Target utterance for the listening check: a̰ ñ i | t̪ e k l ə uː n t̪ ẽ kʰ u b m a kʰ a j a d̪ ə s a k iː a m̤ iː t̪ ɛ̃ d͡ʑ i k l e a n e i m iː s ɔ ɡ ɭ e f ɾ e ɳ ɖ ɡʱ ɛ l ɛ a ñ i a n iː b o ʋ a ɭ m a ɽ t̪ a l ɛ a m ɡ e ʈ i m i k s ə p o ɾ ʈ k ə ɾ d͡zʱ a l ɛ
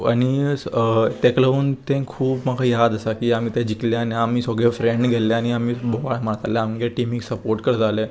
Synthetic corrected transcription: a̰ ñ i | t̪ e k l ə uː n t̪ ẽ kʰ uː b m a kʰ a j a d̪ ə s a k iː a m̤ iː t̪ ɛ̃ d͡ʑ i k l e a n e a m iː s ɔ ɡ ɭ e f ɾ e ɳ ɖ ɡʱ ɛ l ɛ a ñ i a m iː b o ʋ a ɭ m a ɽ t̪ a l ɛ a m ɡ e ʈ i m i k s ə p o ɾ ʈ k ə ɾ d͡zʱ a l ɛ